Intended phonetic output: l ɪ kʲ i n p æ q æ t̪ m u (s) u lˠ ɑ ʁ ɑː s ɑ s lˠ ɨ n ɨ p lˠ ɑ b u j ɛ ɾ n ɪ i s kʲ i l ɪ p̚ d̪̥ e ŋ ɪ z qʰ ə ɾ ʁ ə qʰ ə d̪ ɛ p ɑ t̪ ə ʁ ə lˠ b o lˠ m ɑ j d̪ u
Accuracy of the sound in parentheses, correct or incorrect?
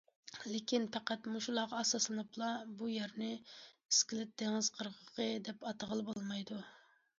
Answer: incorrect